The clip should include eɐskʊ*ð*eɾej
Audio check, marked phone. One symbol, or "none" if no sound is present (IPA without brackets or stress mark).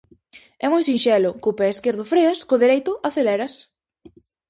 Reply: ð